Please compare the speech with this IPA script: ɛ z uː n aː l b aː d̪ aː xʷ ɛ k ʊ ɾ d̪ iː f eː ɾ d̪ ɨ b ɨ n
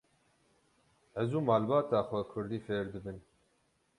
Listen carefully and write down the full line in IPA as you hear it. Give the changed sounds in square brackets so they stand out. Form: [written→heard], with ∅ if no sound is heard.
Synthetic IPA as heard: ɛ z uː [n→m] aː l b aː [d̪→t̪] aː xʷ ɛ [k→kʰ] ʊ ɾ d̪ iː f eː ɾ d̪ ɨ b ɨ n

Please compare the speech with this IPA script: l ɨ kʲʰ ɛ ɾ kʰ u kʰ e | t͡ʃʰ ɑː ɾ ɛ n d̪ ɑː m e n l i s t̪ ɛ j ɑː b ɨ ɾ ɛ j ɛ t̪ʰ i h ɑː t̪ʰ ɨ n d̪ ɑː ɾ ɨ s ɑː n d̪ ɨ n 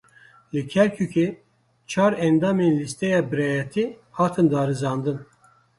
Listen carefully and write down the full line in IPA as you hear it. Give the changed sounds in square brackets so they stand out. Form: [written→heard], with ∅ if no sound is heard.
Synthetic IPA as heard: l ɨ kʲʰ ɛ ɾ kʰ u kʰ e | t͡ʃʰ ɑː ɾ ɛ n d̪ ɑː m e n l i s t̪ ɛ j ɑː b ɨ ɾ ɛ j ɛ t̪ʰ i h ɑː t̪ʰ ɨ n d̪ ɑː ɾ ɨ [s→z] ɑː n d̪ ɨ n

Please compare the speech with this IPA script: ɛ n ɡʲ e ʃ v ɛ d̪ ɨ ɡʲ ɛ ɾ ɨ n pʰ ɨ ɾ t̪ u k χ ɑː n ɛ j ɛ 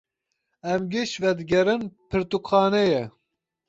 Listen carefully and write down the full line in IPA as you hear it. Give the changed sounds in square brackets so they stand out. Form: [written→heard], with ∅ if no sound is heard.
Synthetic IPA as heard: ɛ [n→m] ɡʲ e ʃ v ɛ d̪ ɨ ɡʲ ɛ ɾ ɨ n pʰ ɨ ɾ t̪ u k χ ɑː n ɛ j ɛ

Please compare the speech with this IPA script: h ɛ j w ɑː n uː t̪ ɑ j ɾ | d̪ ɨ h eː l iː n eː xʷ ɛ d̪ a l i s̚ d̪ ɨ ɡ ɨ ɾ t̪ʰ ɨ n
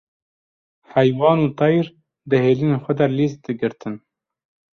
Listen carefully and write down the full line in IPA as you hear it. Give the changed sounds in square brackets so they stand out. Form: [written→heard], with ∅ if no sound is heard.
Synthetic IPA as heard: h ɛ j w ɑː n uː t̪ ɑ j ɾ | d̪ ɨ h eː l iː n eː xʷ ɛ d̪ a l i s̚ d̪ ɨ ɡ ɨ ɾ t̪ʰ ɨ n

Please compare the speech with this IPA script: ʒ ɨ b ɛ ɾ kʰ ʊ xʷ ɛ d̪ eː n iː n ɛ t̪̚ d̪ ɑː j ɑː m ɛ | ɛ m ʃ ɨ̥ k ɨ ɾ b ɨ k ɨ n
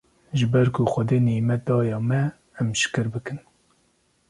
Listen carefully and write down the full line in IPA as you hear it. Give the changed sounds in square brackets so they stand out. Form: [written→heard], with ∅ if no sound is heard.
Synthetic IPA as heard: ʒ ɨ b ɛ ɾ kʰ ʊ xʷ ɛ d̪ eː n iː [n→m] ɛ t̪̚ d̪ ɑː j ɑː m ɛ | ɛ m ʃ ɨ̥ k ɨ ɾ b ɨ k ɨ n

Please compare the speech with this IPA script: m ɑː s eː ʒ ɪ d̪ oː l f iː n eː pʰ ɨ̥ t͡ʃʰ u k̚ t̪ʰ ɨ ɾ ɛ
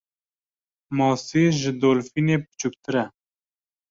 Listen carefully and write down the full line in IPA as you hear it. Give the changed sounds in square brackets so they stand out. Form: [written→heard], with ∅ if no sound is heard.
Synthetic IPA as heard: m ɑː s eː ʒ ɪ d̪ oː l f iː n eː [pʰ→p] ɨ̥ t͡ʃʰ u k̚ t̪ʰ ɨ ɾ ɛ

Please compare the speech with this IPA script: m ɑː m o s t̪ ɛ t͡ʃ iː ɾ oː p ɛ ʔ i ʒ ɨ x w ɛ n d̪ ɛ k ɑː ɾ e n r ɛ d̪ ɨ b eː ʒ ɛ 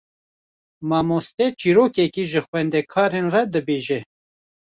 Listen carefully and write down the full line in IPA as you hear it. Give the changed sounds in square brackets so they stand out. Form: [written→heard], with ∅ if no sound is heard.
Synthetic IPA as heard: m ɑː m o s t̪ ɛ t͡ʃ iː ɾ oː [p→k] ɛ [ʔ→k] i ʒ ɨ x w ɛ n d̪ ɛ [k→kʰ] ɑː ɾ e n r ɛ d̪ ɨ b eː ʒ ɛ

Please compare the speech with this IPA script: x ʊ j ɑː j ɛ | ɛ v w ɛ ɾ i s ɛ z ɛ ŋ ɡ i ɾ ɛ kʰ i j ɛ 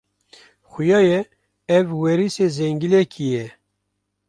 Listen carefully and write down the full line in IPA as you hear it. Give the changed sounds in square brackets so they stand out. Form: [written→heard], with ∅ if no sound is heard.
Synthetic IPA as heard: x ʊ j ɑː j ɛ | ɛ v w ɛ ɾ i s [ɛ→e] z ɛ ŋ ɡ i [ɾ→l] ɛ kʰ i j ɛ

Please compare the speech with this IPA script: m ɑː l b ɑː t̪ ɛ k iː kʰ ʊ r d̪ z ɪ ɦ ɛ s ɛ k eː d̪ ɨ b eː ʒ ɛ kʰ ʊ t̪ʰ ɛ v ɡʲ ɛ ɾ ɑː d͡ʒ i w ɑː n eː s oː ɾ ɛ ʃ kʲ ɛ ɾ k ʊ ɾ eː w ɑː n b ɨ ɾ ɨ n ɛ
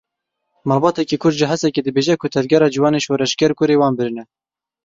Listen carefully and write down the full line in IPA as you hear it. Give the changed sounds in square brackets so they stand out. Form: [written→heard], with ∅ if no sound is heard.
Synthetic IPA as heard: m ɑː l b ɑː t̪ ɛ k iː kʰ ʊ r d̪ [z→ʒ] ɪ ɦ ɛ s ɛ k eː d̪ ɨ b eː ʒ ɛ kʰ ʊ t̪ʰ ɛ v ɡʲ ɛ ɾ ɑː d͡ʒ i w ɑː n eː [s→ʃ] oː ɾ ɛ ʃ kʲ ɛ ɾ k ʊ ɾ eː w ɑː n b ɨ ɾ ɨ n ɛ

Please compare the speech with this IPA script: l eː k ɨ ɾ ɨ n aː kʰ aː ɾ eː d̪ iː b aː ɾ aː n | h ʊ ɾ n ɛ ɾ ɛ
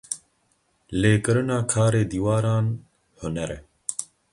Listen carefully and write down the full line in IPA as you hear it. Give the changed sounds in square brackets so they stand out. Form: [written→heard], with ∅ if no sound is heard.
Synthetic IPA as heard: l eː k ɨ ɾ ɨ n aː kʰ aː ɾ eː d̪ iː [b→w] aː ɾ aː n | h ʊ [ɾ→∅] n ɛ ɾ ɛ

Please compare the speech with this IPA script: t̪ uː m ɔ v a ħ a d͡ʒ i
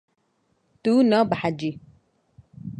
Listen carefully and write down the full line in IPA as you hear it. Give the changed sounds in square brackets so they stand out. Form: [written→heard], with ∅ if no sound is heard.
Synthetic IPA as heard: t̪ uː [m→n] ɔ [v→b] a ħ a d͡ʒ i

